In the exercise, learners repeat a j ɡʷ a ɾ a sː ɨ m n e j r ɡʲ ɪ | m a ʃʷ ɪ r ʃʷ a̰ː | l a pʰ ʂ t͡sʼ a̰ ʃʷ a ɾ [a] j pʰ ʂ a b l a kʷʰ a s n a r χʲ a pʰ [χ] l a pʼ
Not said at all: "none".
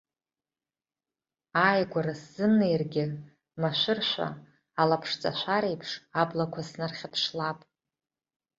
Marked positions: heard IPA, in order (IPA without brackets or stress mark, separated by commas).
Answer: e, ʂ